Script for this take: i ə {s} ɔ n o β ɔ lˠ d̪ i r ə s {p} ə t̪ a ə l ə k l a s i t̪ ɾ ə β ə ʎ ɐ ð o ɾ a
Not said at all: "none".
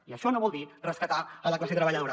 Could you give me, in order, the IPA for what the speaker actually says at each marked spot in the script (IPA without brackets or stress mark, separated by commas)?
ʃ, k